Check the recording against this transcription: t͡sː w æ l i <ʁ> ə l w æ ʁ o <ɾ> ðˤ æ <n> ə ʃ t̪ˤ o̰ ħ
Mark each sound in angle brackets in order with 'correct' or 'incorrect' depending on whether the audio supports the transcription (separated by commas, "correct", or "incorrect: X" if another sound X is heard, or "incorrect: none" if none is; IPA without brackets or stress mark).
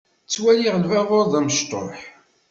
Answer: correct, correct, incorrect: m